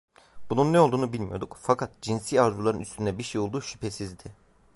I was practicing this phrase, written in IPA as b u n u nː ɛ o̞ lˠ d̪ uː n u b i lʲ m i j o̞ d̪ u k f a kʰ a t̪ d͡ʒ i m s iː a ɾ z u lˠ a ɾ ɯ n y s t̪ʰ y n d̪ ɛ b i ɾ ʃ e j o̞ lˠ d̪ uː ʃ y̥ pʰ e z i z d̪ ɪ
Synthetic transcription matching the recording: b u n u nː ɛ o̞ lˠ d̪ uː n u b i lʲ m i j o̞ d̪ u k f a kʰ a t̪ d͡ʒ i n s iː a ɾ z u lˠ a ɾ ɯ n y s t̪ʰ y n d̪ ɛ b i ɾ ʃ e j o̞ lˠ d̪ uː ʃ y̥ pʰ e s i z d̪ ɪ